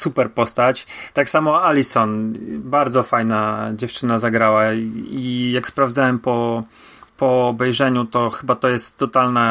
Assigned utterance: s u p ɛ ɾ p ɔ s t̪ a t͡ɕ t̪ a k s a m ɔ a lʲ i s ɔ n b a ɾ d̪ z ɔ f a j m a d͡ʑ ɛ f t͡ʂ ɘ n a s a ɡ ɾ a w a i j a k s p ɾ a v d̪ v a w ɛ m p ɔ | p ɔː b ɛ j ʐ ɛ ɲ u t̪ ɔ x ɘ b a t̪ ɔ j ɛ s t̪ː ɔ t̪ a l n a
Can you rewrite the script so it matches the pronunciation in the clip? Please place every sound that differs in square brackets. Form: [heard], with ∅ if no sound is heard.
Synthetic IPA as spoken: s u p ɛ ɾ p ɔ s t̪ a t͡ɕ t̪ a k s a m ɔ a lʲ i s ɔ n b a ɾ d̪ z ɔ f a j [n] a d͡ʑ ɛ f t͡ʂ ɘ n a [z] a ɡ ɾ a w a i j a k s p ɾ a v d̪ [z] a w ɛ m p ɔ | p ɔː b ɛ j ʐ ɛ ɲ u t̪ ɔ x ɘ b a t̪ ɔ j ɛ s t̪ː ɔ t̪ a l n a